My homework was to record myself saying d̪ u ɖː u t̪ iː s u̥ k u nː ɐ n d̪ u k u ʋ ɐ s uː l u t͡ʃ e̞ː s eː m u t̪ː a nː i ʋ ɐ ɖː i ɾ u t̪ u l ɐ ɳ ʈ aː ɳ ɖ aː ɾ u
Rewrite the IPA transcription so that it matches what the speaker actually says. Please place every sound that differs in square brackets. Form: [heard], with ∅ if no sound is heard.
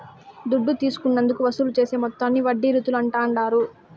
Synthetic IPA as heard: d̪ u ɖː u t̪ iː s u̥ k u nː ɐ n d̪ u k u ʋ ɐ s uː l u t͡ʃ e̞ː s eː m [ɔ] t̪ː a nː i ʋ ɐ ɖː i ɾ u t̪ u l ɐ ɳ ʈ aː ɳ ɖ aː ɾ u